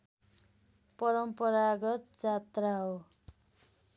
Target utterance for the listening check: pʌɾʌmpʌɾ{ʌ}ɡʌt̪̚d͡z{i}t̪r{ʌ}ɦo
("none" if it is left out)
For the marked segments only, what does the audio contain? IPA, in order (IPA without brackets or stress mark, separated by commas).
a, a, a